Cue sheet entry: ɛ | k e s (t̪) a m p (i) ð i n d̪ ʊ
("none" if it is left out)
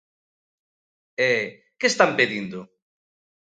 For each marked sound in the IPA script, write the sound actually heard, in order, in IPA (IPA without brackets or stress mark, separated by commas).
t̪, e